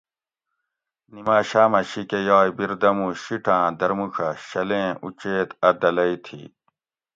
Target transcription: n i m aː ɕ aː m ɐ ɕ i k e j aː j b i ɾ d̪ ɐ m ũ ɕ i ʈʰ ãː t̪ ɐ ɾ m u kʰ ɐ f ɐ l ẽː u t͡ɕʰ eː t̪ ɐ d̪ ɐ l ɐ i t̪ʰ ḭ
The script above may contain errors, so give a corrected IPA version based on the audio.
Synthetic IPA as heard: n i m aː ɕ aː m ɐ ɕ i k e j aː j b i ɾ d̪ ɐ m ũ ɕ i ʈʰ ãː d̪ ɐ ɾ m u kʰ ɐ ɕ ɐ l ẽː u t͡ɕ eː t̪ ɐ d̪ ɐ l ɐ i t̪ʰ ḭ